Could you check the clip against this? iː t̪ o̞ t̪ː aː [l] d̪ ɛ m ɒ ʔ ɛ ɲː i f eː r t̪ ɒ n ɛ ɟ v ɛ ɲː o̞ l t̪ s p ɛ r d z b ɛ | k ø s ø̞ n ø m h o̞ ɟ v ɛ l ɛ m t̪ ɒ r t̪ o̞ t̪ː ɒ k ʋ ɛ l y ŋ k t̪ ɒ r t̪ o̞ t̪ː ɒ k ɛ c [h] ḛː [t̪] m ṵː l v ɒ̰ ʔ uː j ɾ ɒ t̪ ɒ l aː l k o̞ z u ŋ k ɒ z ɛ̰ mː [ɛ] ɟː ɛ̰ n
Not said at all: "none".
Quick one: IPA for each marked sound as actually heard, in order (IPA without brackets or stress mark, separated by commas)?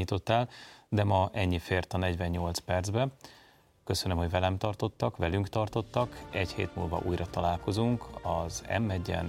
l, h, t̪, ɛ